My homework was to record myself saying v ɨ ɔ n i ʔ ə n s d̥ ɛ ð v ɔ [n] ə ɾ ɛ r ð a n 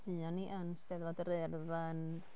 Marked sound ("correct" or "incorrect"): incorrect